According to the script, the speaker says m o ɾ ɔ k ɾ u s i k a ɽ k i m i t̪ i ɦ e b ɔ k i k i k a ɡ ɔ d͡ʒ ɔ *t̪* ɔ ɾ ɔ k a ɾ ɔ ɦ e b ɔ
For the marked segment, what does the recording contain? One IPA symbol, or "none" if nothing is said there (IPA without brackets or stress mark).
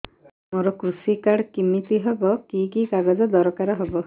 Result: d̪